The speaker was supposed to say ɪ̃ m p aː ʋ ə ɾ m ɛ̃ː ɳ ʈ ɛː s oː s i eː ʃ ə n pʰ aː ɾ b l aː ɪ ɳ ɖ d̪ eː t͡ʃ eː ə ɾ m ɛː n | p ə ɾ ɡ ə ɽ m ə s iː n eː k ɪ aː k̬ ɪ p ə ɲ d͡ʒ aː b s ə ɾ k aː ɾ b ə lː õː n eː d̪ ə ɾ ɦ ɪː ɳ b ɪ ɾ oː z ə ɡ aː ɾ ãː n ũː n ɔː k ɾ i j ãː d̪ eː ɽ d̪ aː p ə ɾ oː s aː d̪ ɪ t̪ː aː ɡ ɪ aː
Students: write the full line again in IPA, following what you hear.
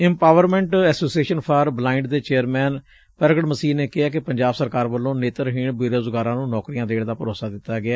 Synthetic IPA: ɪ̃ m p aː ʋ ə ɾ m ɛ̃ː ɳ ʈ ɛː s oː s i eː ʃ ə n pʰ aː ɾ b l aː ɪ ɳ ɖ d̪ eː t͡ʃ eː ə ɾ m ɛː n | p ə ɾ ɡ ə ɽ m ə s iː n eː k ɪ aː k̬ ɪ p ə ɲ d͡ʒ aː b s ə ɾ k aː ɾ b ə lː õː n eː t̪ ə ɾ ɦ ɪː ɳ b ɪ ɾ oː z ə ɡ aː ɾ ãː n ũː n ɔː k ɾ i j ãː d̪ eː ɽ d̪ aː p ə ɾ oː s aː d̪ ɪ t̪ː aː ɡ ɪ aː